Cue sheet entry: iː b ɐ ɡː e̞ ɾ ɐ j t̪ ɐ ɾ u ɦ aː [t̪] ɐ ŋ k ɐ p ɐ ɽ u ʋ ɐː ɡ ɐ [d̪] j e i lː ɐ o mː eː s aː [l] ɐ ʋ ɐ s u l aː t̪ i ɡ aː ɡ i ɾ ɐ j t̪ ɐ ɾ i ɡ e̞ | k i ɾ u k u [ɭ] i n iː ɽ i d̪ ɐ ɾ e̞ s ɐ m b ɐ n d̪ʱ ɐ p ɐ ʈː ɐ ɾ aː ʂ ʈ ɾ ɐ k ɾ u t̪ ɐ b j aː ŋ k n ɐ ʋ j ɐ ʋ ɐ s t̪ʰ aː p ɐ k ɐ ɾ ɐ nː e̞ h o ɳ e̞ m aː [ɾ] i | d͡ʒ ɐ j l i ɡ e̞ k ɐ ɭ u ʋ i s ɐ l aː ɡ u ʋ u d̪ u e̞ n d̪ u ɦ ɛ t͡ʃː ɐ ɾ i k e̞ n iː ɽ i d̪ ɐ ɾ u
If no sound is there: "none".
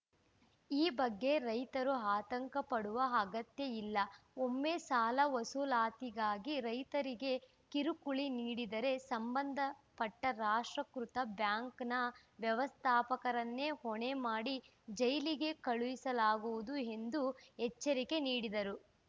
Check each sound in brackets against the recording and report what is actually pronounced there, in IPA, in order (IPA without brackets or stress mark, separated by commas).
t̪, t̪, l, ɭ, ɽ